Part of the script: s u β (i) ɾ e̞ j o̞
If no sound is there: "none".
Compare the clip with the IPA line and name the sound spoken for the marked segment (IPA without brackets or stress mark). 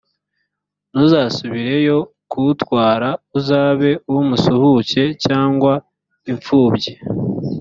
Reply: i